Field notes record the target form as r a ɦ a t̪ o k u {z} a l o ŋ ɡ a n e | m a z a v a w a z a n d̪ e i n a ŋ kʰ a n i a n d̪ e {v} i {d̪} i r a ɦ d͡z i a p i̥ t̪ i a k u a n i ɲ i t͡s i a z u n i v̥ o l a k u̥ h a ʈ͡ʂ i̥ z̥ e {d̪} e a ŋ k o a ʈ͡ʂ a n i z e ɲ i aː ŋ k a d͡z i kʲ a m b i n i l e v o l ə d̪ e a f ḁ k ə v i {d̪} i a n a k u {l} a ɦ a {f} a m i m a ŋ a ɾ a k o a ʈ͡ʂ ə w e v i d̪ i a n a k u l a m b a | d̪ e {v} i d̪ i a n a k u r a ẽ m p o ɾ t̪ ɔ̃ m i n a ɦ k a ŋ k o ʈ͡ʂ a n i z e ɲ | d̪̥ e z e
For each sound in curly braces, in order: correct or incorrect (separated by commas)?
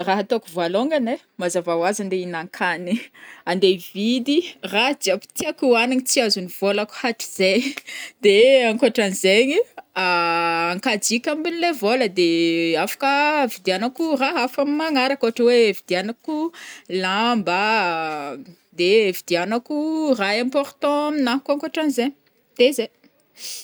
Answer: incorrect, correct, correct, correct, correct, incorrect, correct, correct